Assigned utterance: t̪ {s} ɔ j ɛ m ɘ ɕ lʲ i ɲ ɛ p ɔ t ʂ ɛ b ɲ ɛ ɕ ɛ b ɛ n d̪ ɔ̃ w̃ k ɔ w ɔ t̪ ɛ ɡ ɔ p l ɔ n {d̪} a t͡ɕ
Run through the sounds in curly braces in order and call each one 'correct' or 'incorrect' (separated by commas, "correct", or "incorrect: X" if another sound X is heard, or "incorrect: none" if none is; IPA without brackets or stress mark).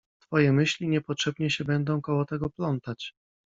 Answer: incorrect: f, incorrect: t̪